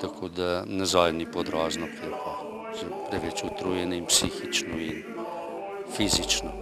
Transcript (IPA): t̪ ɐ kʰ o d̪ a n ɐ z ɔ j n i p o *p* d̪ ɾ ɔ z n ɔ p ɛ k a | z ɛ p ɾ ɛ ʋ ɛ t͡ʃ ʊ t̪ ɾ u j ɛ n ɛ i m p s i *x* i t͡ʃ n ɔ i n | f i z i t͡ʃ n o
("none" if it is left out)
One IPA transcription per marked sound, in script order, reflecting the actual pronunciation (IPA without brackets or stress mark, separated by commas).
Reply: none, x